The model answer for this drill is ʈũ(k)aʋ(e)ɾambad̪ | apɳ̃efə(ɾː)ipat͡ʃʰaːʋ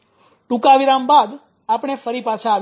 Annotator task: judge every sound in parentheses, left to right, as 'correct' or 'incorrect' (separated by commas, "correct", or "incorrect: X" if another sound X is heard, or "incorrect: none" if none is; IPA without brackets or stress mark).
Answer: correct, incorrect: i, incorrect: ɾ